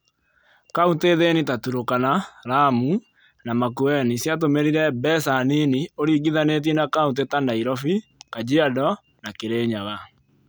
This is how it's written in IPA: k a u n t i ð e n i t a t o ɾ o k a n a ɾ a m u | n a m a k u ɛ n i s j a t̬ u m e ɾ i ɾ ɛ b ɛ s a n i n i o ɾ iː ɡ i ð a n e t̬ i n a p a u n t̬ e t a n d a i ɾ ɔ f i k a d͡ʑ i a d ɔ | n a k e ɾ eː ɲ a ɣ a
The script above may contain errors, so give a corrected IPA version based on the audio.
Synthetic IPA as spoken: k a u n t e ð e n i t a t u ɾ o k a n a ɾ a m u | n a m a k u ɛ n i s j a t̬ o m e ɾ i ɾ ɛ b ɛ s a n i n i o ɾ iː ɡ i ð a n e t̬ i n a k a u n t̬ e t a n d a i ɾ ɔ f i k a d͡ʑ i a d ɔ | n a k e ɾ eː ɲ a ɣ a